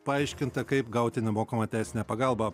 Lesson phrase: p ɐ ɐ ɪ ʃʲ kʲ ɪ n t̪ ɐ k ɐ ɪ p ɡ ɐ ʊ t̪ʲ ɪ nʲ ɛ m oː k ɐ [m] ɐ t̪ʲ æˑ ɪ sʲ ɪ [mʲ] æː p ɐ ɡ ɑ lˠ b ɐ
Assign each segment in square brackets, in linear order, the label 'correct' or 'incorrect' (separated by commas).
correct, incorrect